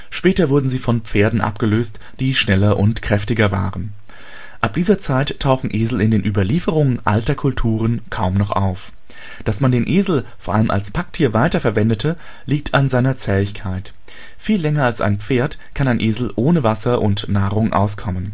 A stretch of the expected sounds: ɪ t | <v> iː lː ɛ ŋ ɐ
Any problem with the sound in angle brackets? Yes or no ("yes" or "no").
yes